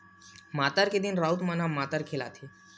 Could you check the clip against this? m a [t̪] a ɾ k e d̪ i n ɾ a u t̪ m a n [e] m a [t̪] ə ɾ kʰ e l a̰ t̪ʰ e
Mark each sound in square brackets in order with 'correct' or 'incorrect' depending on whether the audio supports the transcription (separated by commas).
correct, incorrect, correct